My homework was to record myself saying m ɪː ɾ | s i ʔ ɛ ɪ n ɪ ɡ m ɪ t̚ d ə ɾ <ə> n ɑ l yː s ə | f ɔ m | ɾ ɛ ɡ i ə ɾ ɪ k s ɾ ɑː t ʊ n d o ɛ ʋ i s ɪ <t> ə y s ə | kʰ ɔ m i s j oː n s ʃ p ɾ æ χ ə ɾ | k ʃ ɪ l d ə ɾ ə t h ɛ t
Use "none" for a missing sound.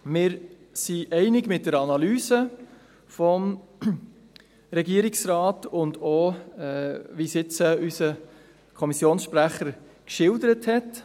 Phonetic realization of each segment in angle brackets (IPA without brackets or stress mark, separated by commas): ɑ, t͡s